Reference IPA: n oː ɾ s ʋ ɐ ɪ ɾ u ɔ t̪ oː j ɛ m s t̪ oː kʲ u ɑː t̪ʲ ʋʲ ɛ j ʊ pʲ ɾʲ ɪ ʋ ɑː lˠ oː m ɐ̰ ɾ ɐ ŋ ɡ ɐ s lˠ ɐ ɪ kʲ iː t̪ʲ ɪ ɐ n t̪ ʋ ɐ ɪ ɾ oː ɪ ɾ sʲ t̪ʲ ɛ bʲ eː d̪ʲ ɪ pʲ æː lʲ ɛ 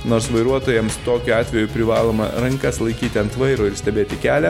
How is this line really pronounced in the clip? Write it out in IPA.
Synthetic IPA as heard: n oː ɾ s ʋ ɐ ɪ ɾ u ɔ t̪ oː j ɛ m s t̪ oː kʲ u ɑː t̪ʲ ʋʲ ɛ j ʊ pʲ ɾʲ ɪ ʋ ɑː lˠ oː m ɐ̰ ɾ ɐ ŋ k ɐ s lˠ ɐ ɪ kʲ iː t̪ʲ ɪ ɐ n t̪ ʋ ɐ ɪ ɾ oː ɪ ɾ sʲ t̪ʲ ɛ bʲ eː t̪ʲ ɪ kʲ æː lʲ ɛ